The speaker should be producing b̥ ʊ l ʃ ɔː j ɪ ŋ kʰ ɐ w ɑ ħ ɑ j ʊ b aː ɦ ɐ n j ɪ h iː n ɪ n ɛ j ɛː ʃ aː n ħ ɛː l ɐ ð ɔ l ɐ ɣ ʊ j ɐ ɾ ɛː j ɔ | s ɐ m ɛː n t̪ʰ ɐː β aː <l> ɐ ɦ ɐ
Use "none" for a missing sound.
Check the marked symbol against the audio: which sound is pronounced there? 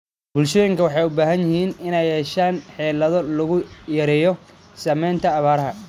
ɾ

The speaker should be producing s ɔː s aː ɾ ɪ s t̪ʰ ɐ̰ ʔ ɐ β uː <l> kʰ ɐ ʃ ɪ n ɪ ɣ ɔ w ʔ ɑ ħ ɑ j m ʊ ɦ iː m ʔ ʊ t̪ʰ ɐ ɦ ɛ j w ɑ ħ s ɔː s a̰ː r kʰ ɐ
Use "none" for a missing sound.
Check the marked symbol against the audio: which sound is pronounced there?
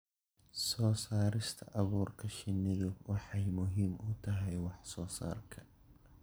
r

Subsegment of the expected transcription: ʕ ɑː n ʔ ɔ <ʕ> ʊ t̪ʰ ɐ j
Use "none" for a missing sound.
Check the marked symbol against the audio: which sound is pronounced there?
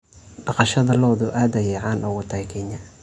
ɣ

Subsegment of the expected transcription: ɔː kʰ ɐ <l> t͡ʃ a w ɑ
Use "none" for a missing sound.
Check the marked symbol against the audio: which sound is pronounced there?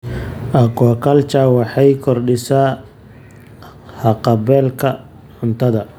l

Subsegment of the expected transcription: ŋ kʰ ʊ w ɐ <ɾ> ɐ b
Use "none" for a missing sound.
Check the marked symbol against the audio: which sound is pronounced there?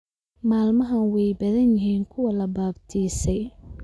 l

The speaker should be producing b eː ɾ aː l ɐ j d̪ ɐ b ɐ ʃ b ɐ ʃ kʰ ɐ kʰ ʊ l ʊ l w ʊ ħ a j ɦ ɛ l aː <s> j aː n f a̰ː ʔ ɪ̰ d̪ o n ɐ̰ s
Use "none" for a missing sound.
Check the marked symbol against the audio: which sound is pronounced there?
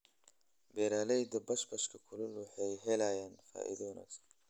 none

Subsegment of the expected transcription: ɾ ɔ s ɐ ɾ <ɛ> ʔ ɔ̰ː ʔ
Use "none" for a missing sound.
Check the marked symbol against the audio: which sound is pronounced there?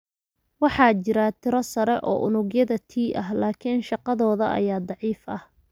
ɛ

